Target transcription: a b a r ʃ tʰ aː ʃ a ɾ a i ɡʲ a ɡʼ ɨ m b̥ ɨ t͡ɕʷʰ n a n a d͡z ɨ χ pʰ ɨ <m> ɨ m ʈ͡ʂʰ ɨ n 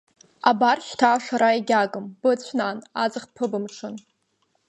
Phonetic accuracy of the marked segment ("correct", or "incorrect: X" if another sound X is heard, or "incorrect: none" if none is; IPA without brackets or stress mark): incorrect: b